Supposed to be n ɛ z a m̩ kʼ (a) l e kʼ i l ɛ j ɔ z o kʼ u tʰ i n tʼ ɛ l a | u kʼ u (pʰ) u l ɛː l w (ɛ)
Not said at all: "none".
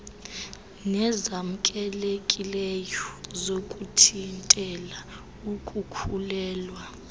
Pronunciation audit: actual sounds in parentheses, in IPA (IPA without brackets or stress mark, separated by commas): ɛ, kʰ, a